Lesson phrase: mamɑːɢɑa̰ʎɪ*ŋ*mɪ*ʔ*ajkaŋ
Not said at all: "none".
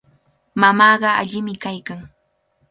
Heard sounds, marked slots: none, k

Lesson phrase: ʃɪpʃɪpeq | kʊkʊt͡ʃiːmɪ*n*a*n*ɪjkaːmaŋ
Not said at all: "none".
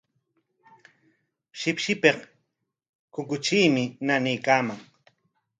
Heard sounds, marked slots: n, n

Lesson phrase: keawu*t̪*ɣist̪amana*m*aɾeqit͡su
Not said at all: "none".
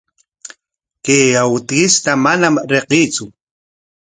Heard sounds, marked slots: t̪, m

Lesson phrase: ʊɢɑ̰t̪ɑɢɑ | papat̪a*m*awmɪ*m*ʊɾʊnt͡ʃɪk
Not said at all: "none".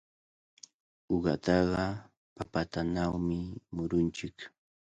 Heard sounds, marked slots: n, m

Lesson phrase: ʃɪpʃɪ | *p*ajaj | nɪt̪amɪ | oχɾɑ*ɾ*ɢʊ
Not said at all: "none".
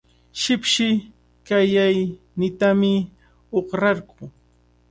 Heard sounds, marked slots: k, ɾ

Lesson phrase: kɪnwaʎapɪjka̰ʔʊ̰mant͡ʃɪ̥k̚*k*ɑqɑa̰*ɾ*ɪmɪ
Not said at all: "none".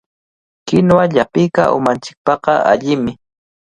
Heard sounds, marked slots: p, ʎ

